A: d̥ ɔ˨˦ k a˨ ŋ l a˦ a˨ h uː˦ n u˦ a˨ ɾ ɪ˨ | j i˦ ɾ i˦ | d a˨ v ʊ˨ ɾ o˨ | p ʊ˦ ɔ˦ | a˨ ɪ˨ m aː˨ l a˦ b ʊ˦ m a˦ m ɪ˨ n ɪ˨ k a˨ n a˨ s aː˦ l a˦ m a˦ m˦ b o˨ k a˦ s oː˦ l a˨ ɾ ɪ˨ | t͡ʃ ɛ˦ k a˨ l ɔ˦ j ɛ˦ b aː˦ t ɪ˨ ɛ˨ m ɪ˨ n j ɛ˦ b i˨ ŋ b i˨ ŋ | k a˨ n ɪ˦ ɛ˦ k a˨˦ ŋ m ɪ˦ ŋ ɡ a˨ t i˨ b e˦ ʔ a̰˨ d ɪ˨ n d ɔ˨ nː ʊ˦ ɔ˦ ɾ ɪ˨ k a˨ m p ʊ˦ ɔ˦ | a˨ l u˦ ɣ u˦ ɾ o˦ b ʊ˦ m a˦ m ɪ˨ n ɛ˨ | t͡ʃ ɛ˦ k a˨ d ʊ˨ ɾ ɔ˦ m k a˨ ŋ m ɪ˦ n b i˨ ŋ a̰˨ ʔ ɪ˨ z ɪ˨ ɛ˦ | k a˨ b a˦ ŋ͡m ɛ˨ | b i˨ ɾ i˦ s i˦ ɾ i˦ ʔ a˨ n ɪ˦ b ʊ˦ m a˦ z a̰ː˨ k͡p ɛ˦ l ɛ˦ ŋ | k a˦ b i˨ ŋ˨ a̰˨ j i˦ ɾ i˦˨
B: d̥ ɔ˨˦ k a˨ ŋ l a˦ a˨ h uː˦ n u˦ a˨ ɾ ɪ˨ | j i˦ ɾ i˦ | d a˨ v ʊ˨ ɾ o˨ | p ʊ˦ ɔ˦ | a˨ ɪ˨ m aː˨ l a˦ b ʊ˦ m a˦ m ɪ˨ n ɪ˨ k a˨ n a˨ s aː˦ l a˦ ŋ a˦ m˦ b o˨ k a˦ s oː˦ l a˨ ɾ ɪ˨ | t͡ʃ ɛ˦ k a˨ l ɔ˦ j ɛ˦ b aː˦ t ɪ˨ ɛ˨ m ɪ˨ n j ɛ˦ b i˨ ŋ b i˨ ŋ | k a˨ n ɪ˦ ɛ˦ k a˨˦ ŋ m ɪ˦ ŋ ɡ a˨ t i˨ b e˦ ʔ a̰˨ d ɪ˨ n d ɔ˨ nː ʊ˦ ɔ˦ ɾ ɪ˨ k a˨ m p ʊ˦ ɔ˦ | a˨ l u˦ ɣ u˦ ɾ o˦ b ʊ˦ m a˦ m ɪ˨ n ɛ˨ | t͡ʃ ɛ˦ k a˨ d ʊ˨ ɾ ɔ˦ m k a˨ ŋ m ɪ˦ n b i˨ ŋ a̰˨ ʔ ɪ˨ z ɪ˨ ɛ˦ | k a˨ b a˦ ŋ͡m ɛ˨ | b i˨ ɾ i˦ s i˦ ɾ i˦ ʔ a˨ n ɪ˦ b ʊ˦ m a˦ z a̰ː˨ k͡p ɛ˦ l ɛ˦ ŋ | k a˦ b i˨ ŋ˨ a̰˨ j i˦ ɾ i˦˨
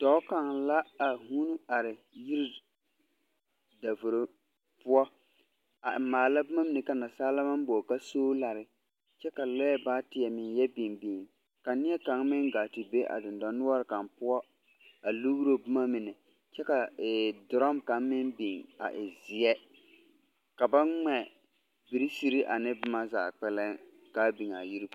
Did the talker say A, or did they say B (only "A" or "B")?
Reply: A